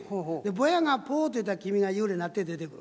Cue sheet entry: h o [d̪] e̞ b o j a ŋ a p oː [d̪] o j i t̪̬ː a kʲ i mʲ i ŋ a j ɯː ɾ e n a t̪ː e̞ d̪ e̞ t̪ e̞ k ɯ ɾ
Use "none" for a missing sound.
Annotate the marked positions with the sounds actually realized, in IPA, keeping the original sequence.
d̪, t̪

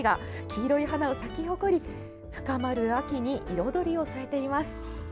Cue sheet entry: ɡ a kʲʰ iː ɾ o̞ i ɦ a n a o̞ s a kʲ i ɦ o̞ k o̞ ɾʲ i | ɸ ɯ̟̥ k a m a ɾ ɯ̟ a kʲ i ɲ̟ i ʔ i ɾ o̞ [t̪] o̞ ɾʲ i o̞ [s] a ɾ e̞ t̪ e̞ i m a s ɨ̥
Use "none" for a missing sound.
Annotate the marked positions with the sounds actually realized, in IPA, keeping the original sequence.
d̪, s

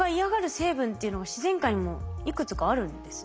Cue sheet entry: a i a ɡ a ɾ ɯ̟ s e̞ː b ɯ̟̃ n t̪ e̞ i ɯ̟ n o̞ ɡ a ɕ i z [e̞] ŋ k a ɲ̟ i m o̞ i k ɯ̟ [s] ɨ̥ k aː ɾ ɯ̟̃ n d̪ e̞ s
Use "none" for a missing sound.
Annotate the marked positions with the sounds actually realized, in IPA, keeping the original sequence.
ẽ̞, t͡s

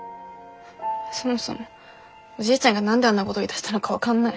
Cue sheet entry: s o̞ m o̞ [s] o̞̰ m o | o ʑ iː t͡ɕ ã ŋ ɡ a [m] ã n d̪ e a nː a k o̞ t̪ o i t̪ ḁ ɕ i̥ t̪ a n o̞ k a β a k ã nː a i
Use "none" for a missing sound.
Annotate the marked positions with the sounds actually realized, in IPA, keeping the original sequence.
s, n

